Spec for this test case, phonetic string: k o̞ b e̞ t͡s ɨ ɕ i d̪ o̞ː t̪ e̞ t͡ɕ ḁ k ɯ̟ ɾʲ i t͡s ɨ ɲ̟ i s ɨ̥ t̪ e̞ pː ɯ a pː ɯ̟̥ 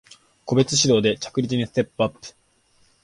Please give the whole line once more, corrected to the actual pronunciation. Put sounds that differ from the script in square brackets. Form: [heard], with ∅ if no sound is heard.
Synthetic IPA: k o̞ b e̞ t͡s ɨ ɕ i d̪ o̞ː [d̪] e̞ t͡ɕ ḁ k ɯ̟ ɾʲ i t͡s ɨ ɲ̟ i s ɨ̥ t̪ e̞ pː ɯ a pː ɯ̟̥